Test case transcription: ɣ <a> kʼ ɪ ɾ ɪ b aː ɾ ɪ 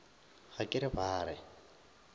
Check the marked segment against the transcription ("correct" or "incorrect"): correct